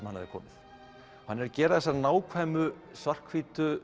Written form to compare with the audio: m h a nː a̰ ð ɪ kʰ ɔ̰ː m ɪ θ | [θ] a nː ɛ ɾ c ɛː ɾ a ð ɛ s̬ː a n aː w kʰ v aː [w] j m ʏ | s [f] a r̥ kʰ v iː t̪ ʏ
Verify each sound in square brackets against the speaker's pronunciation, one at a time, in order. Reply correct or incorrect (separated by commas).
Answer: incorrect, incorrect, incorrect